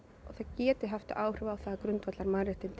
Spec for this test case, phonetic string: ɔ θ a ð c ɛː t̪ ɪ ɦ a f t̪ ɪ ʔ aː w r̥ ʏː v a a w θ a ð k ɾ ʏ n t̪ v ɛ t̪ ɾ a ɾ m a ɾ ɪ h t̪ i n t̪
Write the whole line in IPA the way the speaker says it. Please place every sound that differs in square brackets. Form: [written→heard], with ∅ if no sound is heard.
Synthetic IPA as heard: ɔ θ a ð c ɛː t̪ ɪ ɦ a f t̪ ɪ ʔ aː w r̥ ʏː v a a w θ a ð k ɾ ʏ n t̪ v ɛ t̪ [ɾ→l] a ɾ m a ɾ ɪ h t̪ [i→ɪ] n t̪